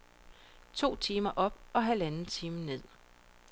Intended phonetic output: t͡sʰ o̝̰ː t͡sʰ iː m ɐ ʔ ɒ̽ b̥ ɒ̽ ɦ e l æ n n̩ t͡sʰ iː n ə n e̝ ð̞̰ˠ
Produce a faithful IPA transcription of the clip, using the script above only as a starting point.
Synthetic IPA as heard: t͡sʰ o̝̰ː t͡sʰ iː m ɐ ʔ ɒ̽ b̥ ɒ̽ ɦ æ l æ n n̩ t͡sʰ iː m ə n e̝ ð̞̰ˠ